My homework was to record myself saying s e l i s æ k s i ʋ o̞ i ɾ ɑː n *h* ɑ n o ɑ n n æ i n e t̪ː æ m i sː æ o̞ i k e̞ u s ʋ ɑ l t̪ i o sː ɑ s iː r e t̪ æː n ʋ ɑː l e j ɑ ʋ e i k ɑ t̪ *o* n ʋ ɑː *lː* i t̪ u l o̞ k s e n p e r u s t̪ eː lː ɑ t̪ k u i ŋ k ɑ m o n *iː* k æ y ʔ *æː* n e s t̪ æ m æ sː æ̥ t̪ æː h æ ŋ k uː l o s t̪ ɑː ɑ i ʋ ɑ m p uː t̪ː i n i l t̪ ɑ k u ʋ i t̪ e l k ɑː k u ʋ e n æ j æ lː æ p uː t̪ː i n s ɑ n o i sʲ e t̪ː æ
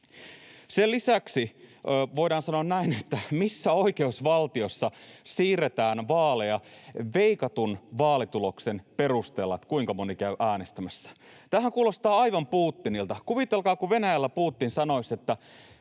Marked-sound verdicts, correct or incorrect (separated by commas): incorrect, incorrect, incorrect, incorrect, correct